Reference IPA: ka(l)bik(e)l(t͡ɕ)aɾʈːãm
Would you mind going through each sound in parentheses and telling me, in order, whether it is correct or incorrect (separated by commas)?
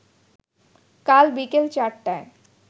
correct, correct, correct